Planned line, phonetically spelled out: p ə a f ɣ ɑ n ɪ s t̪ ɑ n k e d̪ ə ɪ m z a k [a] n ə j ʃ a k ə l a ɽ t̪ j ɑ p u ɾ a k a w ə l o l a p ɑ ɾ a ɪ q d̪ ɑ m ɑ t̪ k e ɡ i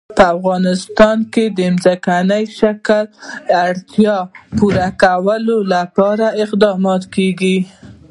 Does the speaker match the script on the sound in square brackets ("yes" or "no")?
yes